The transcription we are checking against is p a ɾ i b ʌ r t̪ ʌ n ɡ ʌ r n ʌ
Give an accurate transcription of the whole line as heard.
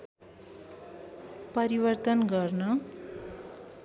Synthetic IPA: p ʌ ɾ i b ʌ r t̪ ʌ n ɡ ʌ r n ʌ